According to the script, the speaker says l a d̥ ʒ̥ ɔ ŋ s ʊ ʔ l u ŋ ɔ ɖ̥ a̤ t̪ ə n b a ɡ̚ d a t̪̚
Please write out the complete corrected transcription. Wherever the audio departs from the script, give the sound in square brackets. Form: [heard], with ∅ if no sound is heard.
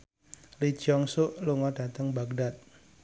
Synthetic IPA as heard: l [i] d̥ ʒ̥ ɔ ŋ s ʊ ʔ l u ŋ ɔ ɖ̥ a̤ t̪ ə [ŋ] b a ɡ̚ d a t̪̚